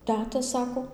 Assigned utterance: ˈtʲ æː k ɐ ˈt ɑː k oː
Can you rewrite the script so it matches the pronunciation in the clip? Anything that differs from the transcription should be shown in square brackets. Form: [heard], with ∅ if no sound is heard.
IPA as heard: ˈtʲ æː [t] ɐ [ˈs] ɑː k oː